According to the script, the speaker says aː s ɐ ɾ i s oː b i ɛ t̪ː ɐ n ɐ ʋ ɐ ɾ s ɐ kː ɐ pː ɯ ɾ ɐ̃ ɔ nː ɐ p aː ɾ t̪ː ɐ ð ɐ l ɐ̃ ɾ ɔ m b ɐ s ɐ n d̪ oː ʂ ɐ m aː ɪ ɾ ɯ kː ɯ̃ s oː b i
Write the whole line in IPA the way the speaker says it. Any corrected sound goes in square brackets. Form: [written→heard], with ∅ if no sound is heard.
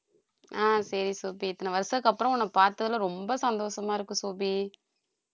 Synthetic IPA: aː s ɐ ɾ i s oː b i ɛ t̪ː ɐ n ɐ ʋ ɐ ɾ s ɐ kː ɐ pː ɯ ɾ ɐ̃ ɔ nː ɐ p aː ɾ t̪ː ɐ ð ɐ l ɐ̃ ɾ ɔ m b ɐ s ɐ n d̪ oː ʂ ɐ m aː ɪ ɾ ɯ kː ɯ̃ s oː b i